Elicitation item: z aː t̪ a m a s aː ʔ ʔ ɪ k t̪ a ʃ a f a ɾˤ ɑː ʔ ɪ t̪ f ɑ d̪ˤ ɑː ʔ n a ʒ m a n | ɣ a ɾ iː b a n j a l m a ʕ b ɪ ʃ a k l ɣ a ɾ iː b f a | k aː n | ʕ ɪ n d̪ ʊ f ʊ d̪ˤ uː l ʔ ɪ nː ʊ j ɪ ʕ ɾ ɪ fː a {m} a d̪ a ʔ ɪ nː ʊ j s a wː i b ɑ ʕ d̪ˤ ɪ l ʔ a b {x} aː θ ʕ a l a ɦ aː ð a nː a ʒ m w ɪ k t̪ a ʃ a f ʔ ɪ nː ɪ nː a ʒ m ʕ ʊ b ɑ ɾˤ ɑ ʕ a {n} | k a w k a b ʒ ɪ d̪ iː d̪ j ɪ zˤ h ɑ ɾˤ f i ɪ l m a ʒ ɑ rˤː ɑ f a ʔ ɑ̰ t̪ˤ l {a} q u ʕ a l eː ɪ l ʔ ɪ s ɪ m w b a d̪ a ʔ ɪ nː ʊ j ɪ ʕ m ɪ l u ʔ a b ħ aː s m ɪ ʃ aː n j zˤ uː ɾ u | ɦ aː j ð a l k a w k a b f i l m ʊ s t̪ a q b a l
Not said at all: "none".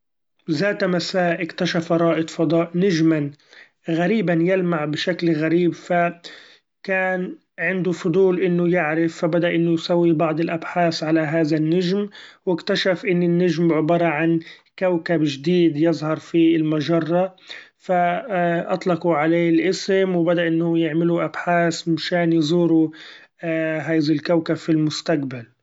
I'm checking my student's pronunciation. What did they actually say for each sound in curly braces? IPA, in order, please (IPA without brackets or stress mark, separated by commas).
b, ħ, n, ɑ